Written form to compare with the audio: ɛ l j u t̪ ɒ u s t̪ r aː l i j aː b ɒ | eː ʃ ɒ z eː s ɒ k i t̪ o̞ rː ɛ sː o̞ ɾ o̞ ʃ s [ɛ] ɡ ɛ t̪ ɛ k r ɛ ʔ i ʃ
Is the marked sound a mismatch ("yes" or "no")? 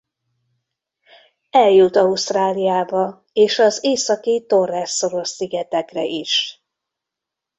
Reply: yes